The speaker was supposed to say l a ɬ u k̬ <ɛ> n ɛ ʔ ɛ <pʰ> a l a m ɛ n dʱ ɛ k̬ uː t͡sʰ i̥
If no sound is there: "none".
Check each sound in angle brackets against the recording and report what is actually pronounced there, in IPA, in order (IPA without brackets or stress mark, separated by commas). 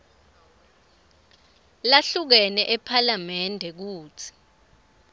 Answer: ɛ, pʰ